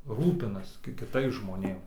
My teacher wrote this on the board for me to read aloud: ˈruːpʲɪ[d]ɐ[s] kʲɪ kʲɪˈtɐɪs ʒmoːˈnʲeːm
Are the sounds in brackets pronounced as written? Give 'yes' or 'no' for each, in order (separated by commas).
no, yes